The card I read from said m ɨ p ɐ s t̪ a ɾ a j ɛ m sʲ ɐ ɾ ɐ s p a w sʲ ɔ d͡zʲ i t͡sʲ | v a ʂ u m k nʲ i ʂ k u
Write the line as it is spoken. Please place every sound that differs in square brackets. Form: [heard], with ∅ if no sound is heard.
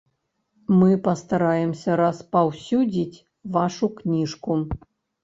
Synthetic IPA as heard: m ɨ p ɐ s t̪ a ɾ a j ɛ m sʲ ɐ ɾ ɐ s p a w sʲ [u] d͡zʲ i t͡sʲ | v a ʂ u [∅] k nʲ i ʂ k u